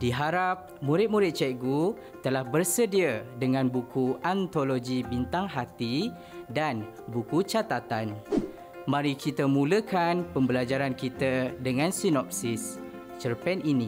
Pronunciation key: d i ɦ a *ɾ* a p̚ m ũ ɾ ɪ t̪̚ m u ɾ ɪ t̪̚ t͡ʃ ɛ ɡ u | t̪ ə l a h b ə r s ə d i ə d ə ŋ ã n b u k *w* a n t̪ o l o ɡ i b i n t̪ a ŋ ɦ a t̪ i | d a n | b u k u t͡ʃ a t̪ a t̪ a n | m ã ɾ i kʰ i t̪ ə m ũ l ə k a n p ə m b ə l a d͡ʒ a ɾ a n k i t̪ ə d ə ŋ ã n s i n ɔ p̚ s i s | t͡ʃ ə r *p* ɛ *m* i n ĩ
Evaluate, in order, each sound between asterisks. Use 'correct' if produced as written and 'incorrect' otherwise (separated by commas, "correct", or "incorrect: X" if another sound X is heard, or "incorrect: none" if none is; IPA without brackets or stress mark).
correct, incorrect: u, correct, incorrect: n